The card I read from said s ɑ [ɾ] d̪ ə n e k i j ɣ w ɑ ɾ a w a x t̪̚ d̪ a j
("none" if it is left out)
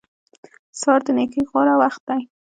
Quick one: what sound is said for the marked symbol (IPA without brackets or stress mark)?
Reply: ɾ